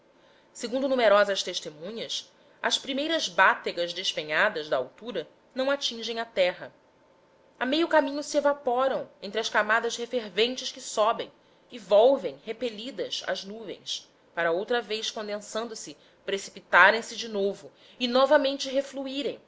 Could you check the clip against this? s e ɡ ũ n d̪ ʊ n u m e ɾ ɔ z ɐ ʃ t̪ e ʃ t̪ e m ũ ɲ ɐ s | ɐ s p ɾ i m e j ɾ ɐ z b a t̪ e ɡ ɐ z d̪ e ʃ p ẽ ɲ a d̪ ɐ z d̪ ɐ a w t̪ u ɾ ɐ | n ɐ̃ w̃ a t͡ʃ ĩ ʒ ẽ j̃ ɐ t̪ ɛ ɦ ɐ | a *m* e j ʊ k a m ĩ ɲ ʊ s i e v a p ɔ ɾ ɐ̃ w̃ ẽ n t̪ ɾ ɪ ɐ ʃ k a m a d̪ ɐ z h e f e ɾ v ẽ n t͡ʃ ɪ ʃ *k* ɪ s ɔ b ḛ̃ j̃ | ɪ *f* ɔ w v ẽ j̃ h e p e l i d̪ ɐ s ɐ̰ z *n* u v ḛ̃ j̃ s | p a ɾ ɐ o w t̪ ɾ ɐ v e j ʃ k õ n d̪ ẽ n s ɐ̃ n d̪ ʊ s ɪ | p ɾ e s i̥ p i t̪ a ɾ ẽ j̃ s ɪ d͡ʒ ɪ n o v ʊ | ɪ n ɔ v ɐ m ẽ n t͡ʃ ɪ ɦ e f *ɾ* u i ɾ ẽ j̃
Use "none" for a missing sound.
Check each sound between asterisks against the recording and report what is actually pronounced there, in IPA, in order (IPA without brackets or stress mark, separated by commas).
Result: m, k, v, n, l